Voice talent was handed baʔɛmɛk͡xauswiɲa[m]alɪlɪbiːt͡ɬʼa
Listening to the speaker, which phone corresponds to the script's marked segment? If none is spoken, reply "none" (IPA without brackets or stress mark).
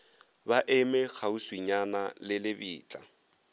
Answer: n